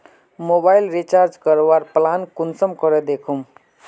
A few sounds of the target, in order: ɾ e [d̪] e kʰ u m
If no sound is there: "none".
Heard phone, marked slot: d̪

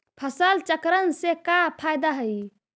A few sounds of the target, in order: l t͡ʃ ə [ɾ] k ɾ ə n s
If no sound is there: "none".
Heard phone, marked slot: none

